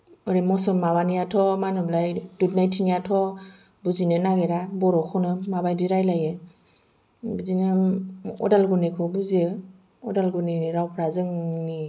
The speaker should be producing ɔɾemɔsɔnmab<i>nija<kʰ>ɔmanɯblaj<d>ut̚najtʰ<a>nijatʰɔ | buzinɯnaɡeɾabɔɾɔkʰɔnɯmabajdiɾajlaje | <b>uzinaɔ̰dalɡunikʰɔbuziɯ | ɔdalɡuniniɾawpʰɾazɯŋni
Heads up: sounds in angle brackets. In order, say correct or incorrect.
incorrect, incorrect, correct, incorrect, correct

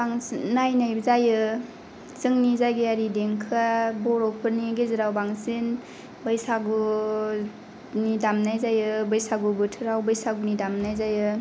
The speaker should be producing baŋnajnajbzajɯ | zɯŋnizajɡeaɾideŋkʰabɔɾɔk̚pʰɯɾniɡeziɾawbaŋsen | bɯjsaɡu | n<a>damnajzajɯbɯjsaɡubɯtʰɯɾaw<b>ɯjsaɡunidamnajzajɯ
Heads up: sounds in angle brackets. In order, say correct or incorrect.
incorrect, correct

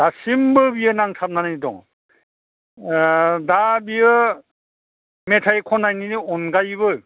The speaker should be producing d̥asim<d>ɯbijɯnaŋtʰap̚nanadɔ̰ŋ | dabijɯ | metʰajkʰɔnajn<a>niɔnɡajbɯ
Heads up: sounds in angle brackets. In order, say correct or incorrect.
incorrect, incorrect

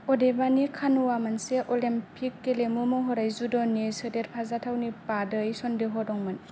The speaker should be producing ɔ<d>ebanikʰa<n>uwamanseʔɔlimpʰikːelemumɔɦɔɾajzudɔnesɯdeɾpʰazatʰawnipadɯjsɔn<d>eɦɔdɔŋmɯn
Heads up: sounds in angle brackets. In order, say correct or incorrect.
correct, correct, correct

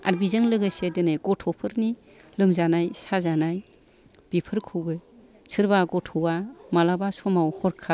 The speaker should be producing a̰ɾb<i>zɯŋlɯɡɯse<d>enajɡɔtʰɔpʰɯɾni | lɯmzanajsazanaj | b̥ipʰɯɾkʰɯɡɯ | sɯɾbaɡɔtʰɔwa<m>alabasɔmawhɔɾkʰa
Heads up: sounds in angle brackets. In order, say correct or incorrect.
correct, correct, correct

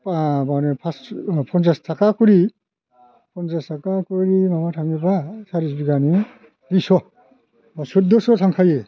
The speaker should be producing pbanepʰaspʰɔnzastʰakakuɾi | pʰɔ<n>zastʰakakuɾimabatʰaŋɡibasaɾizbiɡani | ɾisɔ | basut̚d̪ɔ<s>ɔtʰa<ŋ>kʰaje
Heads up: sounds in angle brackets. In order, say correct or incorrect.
correct, correct, correct

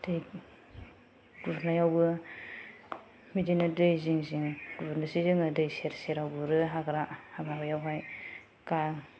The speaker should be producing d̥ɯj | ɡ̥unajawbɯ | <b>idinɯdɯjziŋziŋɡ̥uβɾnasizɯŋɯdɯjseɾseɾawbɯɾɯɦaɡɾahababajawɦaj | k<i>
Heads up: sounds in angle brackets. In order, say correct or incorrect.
incorrect, incorrect

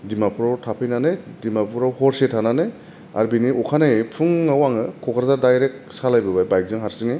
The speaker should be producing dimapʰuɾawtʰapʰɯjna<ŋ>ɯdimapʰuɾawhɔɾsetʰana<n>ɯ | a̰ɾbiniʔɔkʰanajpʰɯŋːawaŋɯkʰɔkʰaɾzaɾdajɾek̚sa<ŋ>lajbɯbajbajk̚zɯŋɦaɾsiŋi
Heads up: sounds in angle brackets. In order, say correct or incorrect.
incorrect, correct, incorrect

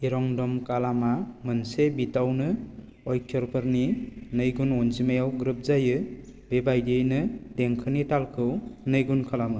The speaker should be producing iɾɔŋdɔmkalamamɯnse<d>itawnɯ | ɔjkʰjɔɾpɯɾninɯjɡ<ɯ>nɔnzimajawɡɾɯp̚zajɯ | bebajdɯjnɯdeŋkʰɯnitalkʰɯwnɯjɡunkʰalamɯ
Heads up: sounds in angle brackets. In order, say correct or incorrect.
incorrect, incorrect

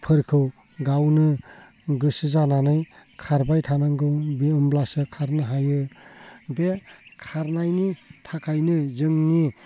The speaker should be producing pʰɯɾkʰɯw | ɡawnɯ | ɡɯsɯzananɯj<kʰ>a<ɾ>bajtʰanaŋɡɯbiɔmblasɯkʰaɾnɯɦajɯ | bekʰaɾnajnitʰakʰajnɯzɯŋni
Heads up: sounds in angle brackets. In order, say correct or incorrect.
correct, correct

